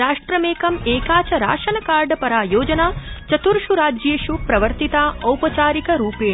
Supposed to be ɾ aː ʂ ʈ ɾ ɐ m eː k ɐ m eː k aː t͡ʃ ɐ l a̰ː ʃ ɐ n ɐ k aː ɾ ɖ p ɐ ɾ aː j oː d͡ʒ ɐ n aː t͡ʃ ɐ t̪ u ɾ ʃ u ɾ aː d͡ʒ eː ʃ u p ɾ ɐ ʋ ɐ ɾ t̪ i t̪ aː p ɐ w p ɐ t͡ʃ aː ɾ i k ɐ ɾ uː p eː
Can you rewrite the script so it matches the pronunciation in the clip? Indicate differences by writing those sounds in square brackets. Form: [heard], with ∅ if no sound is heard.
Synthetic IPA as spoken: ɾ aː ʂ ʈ ɾ ɐ m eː k ɐ m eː k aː t͡ʃ ɐ [ɾ] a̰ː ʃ ɐ n ɐ k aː ɾ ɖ p ɐ ɾ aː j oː d͡ʒ ɐ n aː t͡ʃ ɐ t̪ u ɾ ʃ u ɾ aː d͡ʒ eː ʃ u p ɾ ɐ ʋ ɐ ɾ t̪ i t̪ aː [∅] ɐ w p ɐ t͡ʃ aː ɾ i k ɐ ɾ uː p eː